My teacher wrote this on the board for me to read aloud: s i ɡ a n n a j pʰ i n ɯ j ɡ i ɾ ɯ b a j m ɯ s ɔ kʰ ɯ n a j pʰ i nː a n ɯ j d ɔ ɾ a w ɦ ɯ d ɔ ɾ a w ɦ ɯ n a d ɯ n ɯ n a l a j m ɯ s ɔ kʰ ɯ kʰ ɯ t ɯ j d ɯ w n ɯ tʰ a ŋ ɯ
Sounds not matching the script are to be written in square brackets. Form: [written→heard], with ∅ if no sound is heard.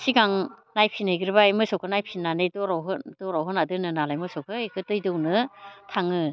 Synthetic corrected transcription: s i ɡ a [n→ŋ] n a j pʰ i n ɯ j ɡ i ɾ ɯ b a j m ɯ s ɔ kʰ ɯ n a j pʰ i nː a n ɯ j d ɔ ɾ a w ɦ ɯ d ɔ ɾ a w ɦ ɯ n a d ɯ n ɯ n a l a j m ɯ s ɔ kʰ ɯ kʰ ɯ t ɯ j d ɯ w n ɯ tʰ a ŋ ɯ